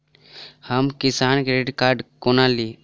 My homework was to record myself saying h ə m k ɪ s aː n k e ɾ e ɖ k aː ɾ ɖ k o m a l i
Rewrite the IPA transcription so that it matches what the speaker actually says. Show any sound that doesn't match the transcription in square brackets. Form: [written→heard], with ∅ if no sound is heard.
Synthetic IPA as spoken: h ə m k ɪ s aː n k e ɾ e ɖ k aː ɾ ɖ k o [m→n] a l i